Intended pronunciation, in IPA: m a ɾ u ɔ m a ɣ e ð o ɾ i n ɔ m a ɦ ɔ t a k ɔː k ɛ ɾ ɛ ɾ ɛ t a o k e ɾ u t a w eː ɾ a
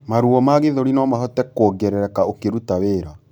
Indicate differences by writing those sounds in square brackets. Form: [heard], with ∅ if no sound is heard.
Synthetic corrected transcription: m a ɾ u ɔ m a ɣ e ð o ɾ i n ɔ m a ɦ ɔ t [ɛ] k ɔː [ɡ] ɛ ɾ ɛ ɾ ɛ [k] a o k e ɾ u t a w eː ɾ a